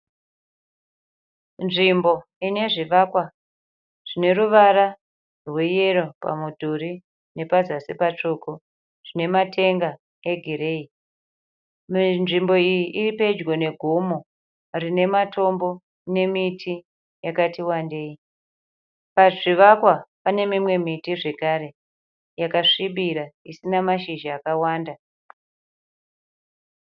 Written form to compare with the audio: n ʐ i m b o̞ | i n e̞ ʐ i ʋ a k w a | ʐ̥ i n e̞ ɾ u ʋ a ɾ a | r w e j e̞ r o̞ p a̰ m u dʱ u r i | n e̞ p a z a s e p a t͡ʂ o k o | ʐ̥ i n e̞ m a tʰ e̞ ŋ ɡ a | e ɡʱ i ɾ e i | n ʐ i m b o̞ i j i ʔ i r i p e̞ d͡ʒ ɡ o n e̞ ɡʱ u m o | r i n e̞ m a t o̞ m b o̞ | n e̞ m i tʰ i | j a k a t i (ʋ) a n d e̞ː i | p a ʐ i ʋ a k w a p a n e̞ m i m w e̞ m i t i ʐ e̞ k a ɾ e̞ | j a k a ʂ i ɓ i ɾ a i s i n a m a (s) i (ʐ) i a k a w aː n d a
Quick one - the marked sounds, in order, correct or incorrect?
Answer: incorrect: w, incorrect: ʃ, incorrect: ʒ

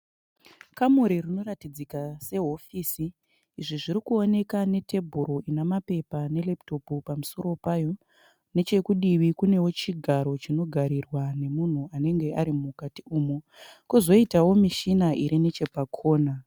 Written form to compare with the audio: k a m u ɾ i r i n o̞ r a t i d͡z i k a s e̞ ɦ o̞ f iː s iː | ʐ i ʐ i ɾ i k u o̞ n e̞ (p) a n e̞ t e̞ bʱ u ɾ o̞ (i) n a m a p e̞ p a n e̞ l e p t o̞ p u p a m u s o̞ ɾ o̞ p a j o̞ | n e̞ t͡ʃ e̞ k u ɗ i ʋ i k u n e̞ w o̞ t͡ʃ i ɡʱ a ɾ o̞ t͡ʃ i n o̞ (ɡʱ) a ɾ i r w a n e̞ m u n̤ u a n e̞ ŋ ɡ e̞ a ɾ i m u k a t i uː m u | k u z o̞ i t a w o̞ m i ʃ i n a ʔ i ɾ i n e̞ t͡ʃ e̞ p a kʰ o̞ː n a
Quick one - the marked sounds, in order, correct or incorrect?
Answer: incorrect: k, correct, correct

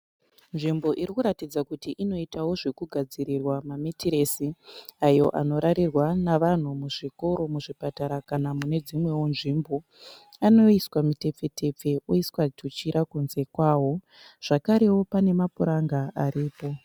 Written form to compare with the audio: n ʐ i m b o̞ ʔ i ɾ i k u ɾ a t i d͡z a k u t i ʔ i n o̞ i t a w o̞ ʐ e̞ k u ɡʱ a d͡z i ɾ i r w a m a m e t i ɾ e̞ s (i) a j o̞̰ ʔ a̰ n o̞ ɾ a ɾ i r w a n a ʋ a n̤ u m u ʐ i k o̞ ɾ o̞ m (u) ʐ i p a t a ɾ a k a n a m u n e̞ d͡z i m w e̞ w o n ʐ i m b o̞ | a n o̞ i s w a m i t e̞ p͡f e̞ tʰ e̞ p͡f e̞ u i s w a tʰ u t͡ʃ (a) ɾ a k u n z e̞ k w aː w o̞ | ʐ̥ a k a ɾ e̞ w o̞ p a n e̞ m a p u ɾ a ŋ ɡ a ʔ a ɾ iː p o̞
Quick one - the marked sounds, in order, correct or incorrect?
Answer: correct, correct, incorrect: i

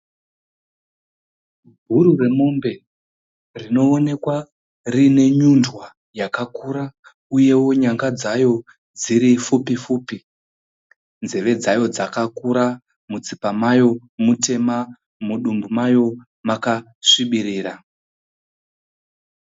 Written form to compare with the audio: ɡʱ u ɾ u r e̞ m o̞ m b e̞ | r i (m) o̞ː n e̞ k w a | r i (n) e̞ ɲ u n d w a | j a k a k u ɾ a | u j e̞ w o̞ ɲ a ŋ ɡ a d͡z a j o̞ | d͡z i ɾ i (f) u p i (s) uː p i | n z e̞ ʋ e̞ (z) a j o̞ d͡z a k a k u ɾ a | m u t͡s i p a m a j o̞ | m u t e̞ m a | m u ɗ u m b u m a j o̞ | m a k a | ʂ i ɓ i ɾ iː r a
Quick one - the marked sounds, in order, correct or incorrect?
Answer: incorrect: n, correct, correct, incorrect: f, incorrect: d͡z

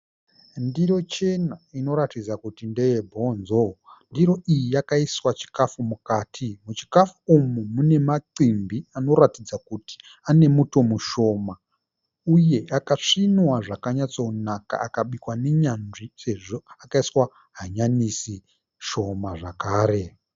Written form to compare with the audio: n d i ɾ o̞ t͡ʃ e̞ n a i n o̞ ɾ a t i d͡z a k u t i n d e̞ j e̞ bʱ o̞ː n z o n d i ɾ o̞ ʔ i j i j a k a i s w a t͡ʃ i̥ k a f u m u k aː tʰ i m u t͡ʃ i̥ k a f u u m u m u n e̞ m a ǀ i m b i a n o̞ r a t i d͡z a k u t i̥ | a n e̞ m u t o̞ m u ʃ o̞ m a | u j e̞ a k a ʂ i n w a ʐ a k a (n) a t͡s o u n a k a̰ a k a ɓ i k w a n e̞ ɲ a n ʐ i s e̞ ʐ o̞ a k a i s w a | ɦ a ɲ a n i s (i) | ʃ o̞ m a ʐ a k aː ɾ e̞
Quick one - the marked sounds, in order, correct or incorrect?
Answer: incorrect: ɲ, correct

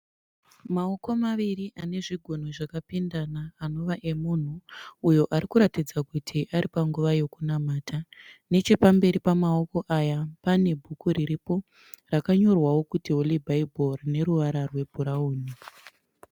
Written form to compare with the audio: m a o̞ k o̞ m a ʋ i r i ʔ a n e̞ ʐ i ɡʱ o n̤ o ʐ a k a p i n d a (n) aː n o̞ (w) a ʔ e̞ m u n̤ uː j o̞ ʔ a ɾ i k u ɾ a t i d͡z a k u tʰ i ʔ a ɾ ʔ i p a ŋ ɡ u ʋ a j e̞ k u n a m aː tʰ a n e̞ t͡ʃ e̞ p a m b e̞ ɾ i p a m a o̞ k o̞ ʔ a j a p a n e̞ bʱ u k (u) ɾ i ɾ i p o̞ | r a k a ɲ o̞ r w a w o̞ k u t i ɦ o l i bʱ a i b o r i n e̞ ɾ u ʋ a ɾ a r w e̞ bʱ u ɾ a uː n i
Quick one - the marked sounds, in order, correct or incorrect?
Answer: correct, incorrect: ʋ, correct

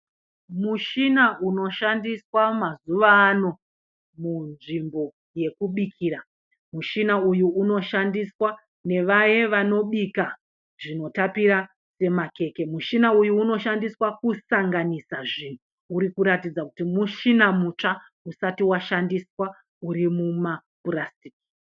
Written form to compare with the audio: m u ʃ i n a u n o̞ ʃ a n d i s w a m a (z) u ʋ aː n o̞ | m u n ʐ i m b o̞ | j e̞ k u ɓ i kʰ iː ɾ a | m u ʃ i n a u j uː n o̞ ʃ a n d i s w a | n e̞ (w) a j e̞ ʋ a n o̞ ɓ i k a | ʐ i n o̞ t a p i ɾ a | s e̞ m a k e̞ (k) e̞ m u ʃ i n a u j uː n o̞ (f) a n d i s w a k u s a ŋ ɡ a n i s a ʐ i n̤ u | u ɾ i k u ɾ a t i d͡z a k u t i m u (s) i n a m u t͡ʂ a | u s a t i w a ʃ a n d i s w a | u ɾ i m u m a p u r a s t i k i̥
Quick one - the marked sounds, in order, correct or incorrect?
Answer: correct, incorrect: ʋ, correct, incorrect: ʃ, incorrect: ʃ

